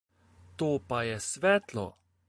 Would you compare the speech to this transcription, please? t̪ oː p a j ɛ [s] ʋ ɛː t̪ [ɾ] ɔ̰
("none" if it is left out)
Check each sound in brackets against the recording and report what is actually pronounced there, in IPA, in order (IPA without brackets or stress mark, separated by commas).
s, l